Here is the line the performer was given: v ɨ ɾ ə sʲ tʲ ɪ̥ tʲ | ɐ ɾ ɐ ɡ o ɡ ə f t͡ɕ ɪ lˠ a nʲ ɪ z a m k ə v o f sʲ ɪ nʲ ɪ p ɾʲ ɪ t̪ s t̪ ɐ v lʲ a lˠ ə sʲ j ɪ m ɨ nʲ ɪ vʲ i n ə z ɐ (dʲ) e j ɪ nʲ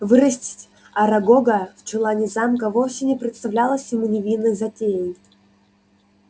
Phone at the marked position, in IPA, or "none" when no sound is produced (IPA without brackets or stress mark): tʲ